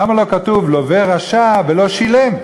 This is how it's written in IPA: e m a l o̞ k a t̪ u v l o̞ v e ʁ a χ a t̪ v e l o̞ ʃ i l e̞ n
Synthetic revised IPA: a m a l o̞ k a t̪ u v l o̞ v e ʁ a ʃ a v e l o̞ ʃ i l e̞ m